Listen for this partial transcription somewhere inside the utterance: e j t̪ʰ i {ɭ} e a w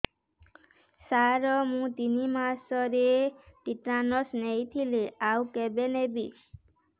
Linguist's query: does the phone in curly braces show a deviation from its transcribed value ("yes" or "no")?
yes